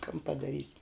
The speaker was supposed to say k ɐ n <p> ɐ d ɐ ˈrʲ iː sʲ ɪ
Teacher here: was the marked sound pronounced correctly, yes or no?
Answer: yes